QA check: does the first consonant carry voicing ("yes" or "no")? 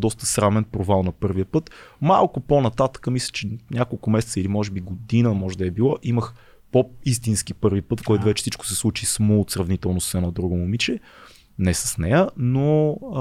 yes